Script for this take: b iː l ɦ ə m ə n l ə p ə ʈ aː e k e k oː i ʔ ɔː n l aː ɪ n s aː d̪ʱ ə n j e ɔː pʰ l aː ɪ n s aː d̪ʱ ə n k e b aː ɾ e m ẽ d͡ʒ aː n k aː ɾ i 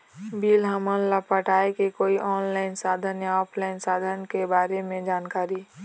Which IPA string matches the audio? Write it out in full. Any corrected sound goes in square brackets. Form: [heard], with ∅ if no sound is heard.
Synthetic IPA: b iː l ɦ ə m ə n l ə p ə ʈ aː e k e k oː i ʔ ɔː n l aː ɪ n s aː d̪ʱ ə n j [a] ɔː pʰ l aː ɪ n s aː d̪ʱ ə n k e b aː ɾ e m ẽ d͡ʒ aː n k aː ɾ i